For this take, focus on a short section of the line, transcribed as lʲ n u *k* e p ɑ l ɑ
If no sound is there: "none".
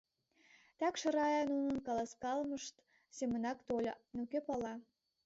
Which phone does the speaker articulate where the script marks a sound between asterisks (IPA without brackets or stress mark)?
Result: k